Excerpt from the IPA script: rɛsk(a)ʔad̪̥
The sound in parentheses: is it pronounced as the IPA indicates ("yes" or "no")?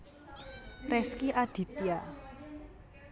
no